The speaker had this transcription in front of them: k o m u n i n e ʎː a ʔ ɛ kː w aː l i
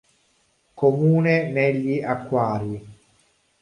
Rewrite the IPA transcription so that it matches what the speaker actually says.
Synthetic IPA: k o m uː n e n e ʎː i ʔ a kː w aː ɾ i

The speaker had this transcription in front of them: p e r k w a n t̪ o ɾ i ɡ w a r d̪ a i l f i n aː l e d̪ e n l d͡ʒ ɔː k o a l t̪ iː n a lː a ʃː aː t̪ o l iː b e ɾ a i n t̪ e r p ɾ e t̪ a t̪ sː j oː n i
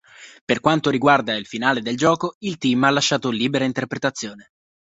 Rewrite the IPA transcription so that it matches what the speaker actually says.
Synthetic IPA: p e r k w a n t̪ o ɾ i ɡ w a r d̪ a i l f i n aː l e d̪ e l d͡ʒ ɔː k o i l t̪ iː m a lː a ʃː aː t̪ o l iː b e ɾ a i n t̪ e r p ɾ e t̪ a t̪ sː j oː n e

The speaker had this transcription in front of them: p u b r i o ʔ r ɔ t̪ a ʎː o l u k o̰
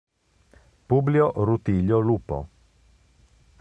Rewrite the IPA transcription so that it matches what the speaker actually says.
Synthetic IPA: p u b l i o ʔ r u t̪ i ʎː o l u p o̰

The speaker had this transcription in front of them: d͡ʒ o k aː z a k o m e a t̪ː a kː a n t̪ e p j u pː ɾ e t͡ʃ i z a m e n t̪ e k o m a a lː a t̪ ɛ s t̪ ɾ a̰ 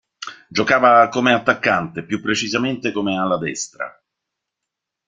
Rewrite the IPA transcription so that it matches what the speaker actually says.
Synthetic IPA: d͡ʒ o k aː v a k o m e a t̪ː a kː a n t̪ e p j u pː ɾ e t͡ʃ i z a m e n t̪ e k o m e a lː a d̪ ɛ s t̪ ɾ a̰

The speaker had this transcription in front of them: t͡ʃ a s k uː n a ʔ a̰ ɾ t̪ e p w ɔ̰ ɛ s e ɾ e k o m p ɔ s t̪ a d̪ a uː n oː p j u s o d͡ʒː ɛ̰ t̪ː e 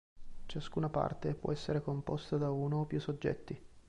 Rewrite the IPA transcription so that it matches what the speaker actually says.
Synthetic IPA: t͡ʃ a s k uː n a p a̰ r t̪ e p w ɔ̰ ɛ sː e ɾ e k o m p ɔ s t̪ a d̪ a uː n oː p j u s o d͡ʒː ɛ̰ t̪ː i

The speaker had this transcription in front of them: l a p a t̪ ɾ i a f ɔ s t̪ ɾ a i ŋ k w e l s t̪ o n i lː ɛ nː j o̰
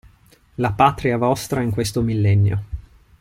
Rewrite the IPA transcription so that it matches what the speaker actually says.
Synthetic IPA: l a p a t̪ ɾ i a v ɔ s t̪ ɾ a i ŋ k w e s t̪ o m i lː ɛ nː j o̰

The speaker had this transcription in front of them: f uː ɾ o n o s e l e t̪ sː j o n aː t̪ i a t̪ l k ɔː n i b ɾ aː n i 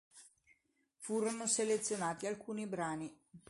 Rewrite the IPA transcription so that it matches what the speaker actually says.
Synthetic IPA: f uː ɾ o n o s e l e t̪ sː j o n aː t̪ i a l k uː n i b ɾ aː n i

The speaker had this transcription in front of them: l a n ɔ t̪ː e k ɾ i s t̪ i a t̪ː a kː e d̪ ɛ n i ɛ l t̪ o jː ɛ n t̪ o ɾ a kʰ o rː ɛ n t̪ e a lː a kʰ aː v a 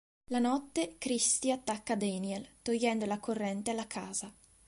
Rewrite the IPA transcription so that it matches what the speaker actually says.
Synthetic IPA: l a n ɔ t̪ː e k ɾ i s t̪ i a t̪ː a kː a d̪ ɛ n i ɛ l t̪ o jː ɛ n d̪ o l a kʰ o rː ɛ n t̪ e a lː a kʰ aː z a

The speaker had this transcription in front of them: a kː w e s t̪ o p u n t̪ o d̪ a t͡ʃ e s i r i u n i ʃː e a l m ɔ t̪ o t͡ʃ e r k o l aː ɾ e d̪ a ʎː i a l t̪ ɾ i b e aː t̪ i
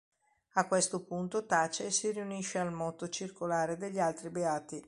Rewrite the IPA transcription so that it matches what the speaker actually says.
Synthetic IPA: a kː w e s t̪ o p u n t̪ o t̪ a t͡ʃ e s i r i u n i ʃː e a l m ɔ t̪ o t͡ʃ i r k o l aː ɾ e d̪ e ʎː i a l t̪ ɾ i b e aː t̪ i

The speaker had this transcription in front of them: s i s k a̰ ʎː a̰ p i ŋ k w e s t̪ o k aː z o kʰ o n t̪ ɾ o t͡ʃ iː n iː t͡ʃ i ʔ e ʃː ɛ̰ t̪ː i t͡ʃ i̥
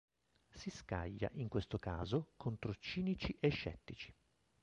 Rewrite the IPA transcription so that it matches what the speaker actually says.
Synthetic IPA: s i s k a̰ ʎː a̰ ʔ i ŋ k w e s t̪ o k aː z o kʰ o n t̪ ɾ o t͡ʃ iː n i t͡ʃ i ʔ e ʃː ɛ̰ t̪ː i t͡ʃ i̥

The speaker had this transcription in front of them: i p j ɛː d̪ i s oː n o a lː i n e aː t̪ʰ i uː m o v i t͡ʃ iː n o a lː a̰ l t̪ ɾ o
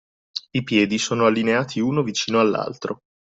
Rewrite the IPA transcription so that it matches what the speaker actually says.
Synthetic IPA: i p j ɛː d̪ i s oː n o a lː i n e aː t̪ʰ i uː n o v i t͡ʃ iː n o a lː a̰ l t̪ ɾ o

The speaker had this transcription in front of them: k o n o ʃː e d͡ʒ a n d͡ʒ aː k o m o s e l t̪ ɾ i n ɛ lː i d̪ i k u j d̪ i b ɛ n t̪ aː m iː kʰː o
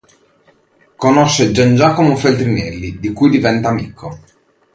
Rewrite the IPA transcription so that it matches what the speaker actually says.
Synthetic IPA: k o n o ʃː e d͡ʒ a n d͡ʒ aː k o m o f e l t̪ ɾ i n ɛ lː i d̪ i k u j d̪ i v ɛ n t̪ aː m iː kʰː o

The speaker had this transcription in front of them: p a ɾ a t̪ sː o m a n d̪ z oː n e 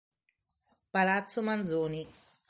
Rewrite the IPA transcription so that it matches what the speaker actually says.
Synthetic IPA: p a l a t̪ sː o m a n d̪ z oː n i

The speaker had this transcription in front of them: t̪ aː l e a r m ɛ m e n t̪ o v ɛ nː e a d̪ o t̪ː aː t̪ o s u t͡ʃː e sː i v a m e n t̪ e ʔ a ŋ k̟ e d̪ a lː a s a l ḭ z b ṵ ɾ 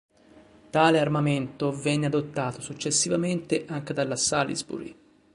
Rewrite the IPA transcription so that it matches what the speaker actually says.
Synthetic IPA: t̪ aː l e a r m a m e n t̪ o v ɛ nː e a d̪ o t̪ː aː t̪ o s u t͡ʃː e sː i v a m e n t̪ e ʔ a ŋ k̟ e d̪ a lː a s a l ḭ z b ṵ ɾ

